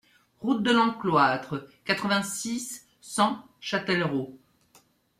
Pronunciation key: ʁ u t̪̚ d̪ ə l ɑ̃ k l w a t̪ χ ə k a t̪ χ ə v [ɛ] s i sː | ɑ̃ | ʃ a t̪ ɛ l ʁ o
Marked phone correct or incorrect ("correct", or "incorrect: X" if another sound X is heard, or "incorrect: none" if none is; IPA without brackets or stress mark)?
incorrect: ɛ̃